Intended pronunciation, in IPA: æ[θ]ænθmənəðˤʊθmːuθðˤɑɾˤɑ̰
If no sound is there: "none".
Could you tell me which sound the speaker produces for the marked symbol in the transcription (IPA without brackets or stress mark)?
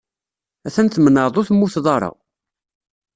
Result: θ